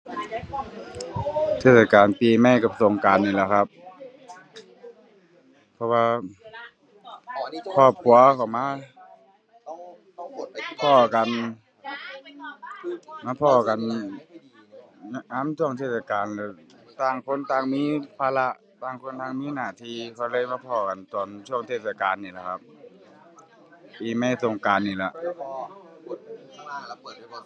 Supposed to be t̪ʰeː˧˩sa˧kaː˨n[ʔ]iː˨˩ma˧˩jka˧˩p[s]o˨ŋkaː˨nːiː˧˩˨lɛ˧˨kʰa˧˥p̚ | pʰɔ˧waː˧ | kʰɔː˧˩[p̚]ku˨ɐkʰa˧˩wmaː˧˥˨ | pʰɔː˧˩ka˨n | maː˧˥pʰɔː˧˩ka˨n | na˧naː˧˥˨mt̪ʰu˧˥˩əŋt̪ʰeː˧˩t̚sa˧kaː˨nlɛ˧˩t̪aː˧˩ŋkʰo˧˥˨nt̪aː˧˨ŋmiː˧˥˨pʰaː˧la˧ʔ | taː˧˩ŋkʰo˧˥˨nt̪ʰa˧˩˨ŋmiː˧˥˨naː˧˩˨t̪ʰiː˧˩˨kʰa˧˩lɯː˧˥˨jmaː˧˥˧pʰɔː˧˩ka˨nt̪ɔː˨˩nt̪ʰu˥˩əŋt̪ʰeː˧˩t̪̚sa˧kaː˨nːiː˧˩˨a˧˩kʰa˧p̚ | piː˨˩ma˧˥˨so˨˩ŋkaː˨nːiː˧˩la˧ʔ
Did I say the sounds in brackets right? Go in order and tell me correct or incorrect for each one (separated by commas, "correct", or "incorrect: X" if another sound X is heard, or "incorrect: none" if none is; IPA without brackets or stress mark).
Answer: incorrect: p, correct, correct